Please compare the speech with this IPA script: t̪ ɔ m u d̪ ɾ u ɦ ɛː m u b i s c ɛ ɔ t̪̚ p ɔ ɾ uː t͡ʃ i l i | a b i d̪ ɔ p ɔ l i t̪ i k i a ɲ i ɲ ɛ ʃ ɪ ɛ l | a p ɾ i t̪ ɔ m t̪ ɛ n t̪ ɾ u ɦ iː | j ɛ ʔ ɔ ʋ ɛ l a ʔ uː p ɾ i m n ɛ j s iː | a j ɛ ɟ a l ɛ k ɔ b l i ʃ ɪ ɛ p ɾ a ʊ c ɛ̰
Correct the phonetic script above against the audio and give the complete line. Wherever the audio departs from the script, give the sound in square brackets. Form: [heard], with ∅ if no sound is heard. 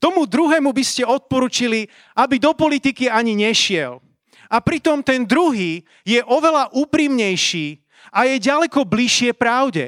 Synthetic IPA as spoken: t̪ ɔ m u d̪ ɾ u ɦ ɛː m u b i s c ɛ ɔ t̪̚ p ɔ ɾ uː t͡ʃ i l i | a b i d̪ ɔ p ɔ l i t̪ i k i a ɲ i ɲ ɛ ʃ ɪ ɛ l | a p ɾ i t̪ ɔ m t̪ ɛ n [d̪] ɾ u ɦ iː | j ɛ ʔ ɔ ʋ ɛ l a ʔ uː p ɾ i m [ɲ] ɛ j [ʃ] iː | a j ɛ ɟ a l ɛ k ɔ b l i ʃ ɪ ɛ p ɾ a ʊ [ɟ] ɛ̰